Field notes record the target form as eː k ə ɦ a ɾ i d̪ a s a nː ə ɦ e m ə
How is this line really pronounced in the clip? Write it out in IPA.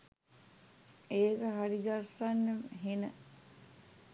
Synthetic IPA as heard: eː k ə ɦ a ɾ i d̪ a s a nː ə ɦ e n ə